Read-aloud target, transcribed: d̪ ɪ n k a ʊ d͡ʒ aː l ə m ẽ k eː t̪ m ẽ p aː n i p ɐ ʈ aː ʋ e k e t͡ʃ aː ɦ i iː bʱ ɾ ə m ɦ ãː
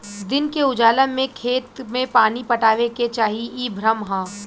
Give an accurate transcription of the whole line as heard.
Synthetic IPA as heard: d̪ ɪ n k e ʊ d͡ʒ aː l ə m ẽ kʰ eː t̪ m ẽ p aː n i p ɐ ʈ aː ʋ e k e t͡ʃ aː ɦ i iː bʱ ɾ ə m ɦ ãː

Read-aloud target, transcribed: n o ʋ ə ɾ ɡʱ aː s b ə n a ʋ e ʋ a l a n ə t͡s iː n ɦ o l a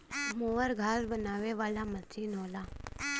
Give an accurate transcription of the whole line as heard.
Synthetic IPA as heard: m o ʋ ə ɾ ɡʱ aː s b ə n a ʋ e ʋ a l a m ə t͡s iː n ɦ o l a

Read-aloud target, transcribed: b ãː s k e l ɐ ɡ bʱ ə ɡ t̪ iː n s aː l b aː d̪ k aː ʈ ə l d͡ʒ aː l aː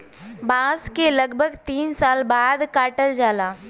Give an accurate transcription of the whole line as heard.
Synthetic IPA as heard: b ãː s k e l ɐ ɡ bʱ ə ɡ t̪ iː n s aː l b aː d̪ k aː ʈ ə ɾ d͡ʒ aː l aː

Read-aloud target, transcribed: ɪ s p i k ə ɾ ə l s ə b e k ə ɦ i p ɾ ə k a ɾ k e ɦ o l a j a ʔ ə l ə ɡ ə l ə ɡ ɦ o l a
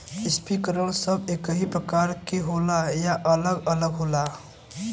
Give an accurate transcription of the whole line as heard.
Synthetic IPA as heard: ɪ s p i k ə ɾ ə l s ə b e k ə ɦ i p ɾ ə k a ɾ k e ɦ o l a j a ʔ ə l ə ɡ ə l ə ɡ ɦ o l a

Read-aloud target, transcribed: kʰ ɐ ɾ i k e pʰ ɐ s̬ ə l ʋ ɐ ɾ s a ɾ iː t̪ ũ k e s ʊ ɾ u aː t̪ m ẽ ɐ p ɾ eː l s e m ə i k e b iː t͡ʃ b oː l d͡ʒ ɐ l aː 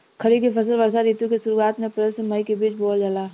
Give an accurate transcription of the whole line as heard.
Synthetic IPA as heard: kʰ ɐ ɾ i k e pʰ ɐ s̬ ə l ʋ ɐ ɾ s a ɾ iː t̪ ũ k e s ʊ ɾ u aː t̪ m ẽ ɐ p ɾ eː l s e m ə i k e b iː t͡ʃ b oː l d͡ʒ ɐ l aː

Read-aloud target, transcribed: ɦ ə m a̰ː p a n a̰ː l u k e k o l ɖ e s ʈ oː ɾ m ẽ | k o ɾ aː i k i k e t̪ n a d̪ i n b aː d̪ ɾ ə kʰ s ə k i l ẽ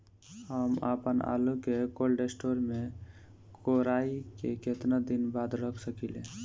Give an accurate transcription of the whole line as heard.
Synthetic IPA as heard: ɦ ə m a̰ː p ə n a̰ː l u k e k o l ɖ e s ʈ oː ɾ m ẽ | k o ɾ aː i k e k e t̪ n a d̪ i n b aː d̪ ɾ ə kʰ s ə k i l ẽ

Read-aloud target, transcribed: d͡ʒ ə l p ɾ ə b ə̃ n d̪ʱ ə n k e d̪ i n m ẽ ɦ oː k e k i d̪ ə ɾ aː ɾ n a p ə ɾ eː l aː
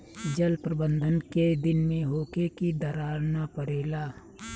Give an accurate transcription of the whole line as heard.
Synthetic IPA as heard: d͡ʒ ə l p ɾ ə b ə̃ n d̪ʱ ə n k e d̪ ɪ n m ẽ ɦ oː k e k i d̪ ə ɾ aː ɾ n a p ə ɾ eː l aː

